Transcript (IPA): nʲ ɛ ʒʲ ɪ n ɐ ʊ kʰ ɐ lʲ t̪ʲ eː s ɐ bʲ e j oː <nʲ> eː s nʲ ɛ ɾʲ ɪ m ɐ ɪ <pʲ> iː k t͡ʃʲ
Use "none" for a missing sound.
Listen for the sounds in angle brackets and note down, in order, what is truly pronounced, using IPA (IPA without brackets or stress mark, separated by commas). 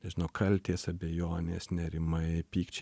nʲ, pʲ